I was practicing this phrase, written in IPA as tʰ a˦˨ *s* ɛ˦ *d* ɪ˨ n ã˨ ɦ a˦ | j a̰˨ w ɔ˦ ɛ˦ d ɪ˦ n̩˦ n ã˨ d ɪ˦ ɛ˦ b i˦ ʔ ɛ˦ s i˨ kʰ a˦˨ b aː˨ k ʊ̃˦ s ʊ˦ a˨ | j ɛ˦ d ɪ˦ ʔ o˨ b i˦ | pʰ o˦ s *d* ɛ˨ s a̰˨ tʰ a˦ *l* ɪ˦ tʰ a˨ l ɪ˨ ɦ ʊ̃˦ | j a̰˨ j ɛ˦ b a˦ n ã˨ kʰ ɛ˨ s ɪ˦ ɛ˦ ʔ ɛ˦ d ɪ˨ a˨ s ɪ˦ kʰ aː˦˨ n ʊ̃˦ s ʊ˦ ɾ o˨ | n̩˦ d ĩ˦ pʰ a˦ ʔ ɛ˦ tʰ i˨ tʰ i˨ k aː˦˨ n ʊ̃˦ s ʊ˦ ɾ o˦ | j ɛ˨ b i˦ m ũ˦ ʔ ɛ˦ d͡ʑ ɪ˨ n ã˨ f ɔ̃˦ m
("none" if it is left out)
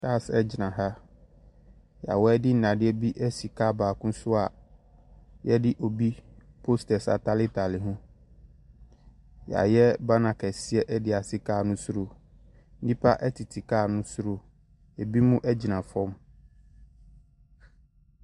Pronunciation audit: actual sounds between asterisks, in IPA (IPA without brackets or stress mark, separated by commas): s, d͡ʑ, t, l